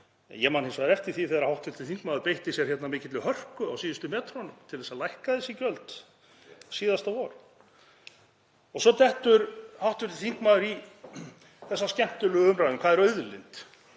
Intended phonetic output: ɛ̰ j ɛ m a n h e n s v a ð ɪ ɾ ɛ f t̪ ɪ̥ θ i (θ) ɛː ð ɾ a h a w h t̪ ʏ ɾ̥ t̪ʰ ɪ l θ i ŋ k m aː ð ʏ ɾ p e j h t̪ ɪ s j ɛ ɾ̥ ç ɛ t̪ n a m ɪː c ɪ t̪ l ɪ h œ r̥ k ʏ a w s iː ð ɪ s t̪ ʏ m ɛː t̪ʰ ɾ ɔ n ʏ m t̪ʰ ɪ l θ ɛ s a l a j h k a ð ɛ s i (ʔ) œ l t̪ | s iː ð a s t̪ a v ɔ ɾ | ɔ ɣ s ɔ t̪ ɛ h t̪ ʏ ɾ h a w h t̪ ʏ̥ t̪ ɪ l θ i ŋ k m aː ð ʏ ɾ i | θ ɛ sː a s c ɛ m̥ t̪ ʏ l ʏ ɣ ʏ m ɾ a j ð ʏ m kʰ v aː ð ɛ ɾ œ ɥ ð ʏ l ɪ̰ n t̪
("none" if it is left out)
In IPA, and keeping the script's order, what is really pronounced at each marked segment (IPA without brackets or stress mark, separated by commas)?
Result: θ, c